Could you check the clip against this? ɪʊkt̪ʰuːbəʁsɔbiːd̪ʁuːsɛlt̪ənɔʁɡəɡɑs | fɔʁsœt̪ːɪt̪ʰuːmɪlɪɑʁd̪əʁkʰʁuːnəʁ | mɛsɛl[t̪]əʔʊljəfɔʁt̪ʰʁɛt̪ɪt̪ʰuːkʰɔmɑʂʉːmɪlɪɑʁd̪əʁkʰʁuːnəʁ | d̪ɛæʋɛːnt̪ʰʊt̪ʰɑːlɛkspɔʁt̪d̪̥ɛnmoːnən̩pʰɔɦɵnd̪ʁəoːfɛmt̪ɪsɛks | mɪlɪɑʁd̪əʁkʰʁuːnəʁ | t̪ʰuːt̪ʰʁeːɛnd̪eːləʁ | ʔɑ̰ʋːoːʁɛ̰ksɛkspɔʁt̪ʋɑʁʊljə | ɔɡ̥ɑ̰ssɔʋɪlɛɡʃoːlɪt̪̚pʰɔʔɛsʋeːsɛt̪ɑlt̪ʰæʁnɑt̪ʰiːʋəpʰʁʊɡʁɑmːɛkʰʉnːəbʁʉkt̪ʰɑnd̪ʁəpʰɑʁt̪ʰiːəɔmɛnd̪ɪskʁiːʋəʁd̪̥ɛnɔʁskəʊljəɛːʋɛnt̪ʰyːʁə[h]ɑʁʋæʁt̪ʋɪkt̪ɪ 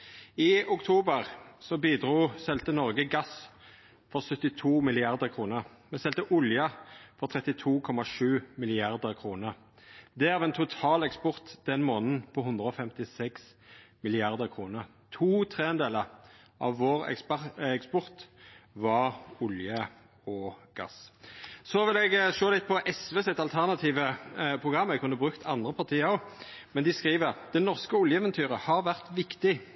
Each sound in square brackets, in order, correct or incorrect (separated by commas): correct, correct